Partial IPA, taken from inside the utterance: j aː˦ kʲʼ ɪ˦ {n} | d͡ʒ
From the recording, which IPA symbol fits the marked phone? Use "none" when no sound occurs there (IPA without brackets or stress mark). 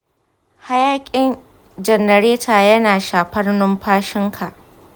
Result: n